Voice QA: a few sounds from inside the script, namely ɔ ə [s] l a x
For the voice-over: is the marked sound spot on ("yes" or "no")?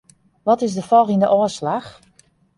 yes